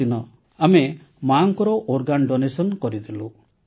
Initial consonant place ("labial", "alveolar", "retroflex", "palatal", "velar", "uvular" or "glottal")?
alveolar